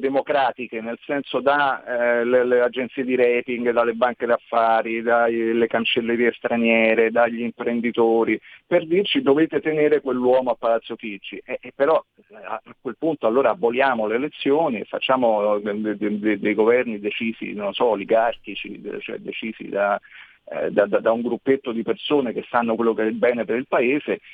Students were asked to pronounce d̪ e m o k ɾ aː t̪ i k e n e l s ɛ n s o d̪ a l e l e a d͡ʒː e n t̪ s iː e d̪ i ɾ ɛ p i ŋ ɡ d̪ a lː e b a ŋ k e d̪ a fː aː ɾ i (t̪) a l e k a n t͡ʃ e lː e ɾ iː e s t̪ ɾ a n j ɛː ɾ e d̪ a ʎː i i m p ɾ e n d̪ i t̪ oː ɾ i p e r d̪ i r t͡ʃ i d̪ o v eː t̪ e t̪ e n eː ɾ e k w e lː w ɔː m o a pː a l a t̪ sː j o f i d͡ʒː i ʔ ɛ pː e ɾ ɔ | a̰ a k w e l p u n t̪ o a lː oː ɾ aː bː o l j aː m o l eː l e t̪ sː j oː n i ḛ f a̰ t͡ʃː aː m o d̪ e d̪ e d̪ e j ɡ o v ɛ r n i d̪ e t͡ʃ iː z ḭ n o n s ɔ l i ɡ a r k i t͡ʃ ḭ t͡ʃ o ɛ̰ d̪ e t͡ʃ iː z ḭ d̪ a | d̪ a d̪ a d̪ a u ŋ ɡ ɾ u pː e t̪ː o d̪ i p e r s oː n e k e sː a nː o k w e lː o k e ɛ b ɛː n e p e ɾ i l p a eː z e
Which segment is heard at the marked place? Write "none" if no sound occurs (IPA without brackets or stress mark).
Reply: d̪